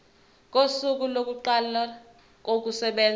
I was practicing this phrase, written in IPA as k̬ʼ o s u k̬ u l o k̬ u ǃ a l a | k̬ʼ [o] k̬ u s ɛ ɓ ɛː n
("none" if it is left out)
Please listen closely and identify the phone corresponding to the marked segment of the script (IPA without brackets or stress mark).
o